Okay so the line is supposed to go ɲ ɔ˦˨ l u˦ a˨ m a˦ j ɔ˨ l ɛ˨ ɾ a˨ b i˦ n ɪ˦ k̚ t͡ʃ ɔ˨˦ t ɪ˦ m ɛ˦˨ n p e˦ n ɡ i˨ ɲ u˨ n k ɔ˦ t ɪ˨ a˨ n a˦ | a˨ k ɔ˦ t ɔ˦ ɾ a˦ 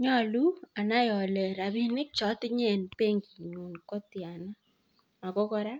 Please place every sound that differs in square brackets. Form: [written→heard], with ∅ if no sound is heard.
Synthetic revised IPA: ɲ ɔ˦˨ l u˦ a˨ [m→n] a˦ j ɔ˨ l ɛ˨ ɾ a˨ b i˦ n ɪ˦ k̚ t͡ʃ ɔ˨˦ t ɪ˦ [m→ɲ] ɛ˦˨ n p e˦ [n→ŋ] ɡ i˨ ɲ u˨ n k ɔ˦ t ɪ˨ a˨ n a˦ | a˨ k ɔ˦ [t→k] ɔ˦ ɾ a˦